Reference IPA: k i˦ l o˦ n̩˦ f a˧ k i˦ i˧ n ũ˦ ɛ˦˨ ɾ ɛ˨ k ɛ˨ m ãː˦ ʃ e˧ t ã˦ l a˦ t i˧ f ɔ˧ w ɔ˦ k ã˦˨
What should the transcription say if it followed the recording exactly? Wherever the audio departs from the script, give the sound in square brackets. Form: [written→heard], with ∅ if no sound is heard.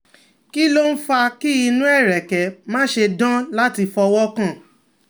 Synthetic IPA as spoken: k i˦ l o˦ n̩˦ f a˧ k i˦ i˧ n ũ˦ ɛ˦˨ ɾ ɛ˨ k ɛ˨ m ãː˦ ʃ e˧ [t→d] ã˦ l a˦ t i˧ f ɔ˧ w ɔ˦ k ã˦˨